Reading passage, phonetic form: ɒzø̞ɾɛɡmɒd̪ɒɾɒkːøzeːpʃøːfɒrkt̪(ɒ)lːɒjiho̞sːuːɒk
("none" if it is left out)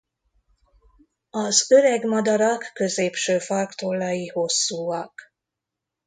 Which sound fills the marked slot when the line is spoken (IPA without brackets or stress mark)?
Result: o